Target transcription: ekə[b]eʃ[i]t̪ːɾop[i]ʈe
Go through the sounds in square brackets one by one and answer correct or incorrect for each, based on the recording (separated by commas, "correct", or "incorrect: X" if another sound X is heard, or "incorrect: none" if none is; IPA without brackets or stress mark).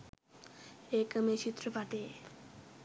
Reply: incorrect: m, correct, incorrect: a